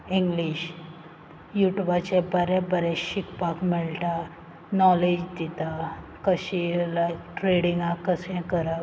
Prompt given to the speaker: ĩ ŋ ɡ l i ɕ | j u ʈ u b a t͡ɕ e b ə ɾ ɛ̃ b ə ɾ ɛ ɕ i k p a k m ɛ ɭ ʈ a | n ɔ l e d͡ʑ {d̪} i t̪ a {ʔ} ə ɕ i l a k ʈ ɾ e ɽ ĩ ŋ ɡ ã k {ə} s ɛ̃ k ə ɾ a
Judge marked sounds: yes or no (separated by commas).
yes, no, yes